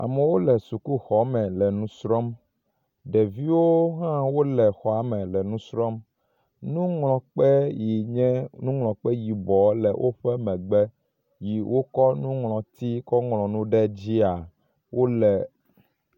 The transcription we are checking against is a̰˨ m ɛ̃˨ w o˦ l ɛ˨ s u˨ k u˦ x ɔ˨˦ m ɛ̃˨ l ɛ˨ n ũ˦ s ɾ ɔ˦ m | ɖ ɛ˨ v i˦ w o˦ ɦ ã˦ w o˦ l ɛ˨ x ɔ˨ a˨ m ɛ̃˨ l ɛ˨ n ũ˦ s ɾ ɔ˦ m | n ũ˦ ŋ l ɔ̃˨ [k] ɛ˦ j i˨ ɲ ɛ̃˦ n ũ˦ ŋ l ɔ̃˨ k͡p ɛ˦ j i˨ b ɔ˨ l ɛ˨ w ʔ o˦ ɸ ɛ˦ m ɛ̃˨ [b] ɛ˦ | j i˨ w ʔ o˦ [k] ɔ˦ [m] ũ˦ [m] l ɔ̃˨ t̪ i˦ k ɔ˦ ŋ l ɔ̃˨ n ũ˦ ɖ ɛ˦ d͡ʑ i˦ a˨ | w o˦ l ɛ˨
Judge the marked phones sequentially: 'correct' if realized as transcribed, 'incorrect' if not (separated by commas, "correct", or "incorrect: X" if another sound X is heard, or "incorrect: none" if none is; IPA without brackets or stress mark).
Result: incorrect: k͡p, incorrect: ɡ͡b, correct, incorrect: n, incorrect: ŋ